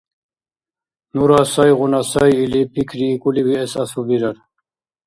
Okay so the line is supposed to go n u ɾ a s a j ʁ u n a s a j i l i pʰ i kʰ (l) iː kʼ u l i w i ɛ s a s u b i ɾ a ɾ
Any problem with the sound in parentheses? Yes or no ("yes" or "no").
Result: yes